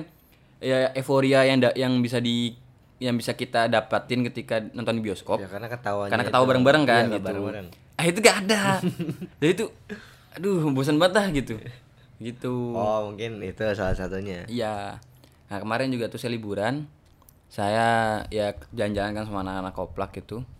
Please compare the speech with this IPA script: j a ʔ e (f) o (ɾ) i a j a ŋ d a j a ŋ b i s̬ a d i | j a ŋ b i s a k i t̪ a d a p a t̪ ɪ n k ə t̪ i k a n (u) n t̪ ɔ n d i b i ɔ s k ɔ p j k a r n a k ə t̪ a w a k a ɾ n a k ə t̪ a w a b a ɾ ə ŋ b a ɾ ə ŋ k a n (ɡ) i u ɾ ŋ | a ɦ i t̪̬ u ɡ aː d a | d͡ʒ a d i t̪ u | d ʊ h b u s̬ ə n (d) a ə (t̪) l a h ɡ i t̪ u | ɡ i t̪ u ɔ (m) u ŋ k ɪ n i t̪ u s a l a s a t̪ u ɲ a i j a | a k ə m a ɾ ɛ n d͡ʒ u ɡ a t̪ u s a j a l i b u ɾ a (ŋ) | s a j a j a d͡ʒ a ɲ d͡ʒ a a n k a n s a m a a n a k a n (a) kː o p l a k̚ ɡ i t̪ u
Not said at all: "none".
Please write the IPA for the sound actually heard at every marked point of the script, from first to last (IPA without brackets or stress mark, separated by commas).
f, ɾ, ɔ, ɡ, b, t̪, m, n, a